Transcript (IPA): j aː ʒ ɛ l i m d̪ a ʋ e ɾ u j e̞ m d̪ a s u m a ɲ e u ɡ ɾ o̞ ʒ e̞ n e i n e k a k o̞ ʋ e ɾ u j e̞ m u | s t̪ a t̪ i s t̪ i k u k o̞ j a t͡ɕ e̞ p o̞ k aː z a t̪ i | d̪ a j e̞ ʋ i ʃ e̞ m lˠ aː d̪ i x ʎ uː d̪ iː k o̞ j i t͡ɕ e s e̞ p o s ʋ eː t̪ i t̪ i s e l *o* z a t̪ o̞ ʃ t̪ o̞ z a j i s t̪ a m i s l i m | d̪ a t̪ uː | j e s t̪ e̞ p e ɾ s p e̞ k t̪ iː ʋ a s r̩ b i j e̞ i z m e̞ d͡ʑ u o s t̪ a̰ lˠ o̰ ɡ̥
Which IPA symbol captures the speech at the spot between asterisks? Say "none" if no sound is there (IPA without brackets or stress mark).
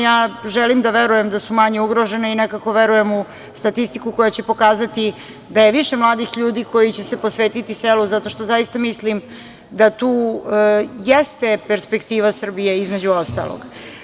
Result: u